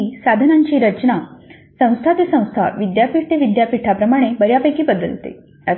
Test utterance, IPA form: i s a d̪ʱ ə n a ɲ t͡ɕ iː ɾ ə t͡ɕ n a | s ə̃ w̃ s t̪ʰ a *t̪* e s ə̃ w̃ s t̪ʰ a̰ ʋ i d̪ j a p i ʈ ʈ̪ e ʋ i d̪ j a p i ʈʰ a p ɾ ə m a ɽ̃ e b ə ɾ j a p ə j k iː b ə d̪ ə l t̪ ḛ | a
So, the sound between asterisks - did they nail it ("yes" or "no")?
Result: yes